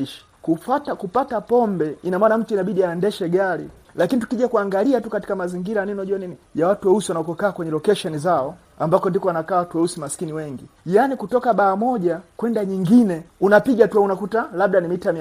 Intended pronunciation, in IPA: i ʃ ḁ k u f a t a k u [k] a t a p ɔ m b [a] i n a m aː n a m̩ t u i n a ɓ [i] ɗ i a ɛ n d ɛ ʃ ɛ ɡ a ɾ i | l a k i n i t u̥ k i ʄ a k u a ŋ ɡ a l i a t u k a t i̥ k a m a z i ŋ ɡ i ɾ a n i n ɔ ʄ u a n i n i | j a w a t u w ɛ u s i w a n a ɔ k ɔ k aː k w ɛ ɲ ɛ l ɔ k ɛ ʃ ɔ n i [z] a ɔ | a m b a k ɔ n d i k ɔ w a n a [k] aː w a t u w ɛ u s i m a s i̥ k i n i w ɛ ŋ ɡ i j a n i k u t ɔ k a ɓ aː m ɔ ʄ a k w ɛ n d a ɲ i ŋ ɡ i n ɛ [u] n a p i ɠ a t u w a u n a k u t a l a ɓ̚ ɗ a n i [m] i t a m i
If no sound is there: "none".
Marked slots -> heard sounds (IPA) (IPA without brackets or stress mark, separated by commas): p, ɛ, i, z, k, u, m